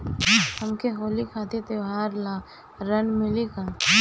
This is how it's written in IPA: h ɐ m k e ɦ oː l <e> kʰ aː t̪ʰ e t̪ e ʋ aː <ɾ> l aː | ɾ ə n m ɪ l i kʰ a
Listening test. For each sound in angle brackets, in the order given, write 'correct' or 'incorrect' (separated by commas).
incorrect, correct